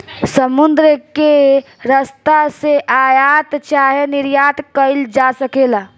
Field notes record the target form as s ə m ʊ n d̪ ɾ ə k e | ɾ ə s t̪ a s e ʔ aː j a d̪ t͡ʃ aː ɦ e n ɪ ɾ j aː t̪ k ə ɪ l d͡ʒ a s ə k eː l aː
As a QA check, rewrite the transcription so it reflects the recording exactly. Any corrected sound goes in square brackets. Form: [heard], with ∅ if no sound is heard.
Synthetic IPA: s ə m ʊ n d̪ ɾ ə k e | ɾ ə s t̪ a s e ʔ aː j a [t̪] t͡ʃ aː ɦ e n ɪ ɾ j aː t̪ k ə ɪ l d͡ʒ a s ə k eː l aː